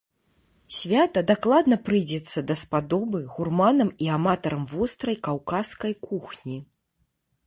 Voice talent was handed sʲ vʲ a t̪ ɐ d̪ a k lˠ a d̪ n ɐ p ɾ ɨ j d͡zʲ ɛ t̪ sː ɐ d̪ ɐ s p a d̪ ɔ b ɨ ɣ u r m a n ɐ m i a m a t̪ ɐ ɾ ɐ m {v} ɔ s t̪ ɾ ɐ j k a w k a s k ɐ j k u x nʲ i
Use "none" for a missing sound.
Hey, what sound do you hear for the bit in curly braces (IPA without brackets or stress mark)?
v